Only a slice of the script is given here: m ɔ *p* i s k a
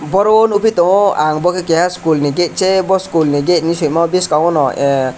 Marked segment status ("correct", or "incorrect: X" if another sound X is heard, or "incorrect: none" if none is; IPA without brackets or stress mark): incorrect: b